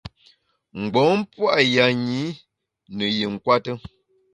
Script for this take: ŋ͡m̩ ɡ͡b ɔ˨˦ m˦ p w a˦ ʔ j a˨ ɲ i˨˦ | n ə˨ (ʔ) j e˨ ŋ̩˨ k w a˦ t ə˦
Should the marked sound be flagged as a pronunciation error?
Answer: yes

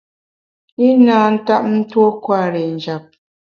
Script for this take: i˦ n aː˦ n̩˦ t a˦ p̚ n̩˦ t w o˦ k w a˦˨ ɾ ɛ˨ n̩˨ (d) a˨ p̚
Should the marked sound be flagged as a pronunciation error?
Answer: yes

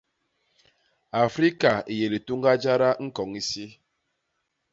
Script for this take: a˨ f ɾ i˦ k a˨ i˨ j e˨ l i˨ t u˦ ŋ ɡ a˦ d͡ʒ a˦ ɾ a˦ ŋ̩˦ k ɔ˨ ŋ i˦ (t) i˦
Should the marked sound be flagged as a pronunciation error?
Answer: yes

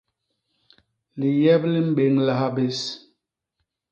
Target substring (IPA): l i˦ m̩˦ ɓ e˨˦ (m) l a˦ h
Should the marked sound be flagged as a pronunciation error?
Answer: yes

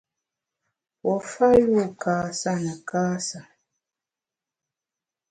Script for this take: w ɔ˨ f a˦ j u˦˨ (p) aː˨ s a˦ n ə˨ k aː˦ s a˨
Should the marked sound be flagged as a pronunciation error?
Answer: yes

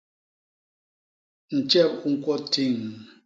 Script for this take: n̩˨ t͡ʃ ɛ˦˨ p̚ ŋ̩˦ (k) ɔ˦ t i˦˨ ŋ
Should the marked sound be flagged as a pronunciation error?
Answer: no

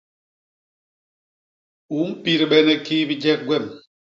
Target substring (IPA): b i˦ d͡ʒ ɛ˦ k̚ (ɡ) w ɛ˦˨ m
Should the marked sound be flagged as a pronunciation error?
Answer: no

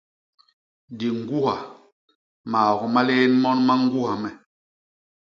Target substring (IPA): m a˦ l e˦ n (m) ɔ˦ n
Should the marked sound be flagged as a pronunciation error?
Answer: no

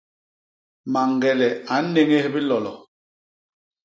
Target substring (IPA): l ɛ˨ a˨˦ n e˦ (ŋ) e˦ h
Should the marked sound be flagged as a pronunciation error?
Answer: no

